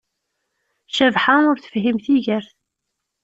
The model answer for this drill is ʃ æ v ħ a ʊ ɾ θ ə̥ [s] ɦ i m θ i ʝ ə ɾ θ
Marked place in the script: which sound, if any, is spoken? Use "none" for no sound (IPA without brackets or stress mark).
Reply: f